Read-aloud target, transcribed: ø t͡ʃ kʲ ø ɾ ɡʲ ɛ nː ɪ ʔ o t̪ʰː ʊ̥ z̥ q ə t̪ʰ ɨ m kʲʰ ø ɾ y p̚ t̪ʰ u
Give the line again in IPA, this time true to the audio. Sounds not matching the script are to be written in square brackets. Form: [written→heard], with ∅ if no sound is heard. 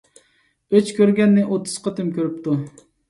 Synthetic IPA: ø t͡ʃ kʲ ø ɾ ɡʲ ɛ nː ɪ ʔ o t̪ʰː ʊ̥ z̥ q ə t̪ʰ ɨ m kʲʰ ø ɾ y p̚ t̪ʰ u